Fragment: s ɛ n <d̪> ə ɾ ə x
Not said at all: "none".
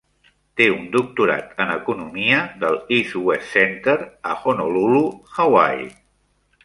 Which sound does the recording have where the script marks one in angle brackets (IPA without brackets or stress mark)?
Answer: t̪